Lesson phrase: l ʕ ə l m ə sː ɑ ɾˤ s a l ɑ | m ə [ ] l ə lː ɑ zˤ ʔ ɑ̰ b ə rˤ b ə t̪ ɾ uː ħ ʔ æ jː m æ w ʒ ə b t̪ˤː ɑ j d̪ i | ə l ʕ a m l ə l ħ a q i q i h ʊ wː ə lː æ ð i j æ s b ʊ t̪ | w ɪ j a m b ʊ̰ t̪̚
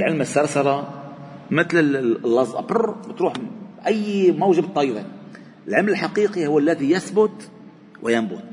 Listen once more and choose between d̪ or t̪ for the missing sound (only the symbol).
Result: t̪